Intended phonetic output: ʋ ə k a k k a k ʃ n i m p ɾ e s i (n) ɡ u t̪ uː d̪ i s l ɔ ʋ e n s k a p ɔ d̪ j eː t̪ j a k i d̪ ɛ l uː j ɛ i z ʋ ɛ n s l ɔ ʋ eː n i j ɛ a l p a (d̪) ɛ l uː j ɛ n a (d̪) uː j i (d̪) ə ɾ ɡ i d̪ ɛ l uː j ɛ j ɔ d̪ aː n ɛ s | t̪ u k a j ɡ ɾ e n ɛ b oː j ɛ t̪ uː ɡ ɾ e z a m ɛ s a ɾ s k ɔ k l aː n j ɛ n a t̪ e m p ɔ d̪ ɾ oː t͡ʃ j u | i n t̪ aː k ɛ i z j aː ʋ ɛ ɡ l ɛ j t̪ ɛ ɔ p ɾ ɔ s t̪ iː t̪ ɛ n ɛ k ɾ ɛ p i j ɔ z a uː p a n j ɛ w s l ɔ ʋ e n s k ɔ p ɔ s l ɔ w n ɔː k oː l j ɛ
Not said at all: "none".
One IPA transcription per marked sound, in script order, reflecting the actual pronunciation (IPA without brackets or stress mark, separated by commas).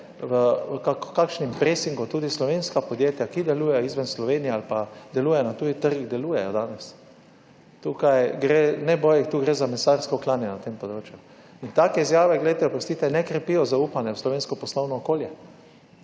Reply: ŋ, d̪, t̪, t̪